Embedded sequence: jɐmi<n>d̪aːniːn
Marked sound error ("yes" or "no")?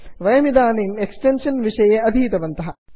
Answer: yes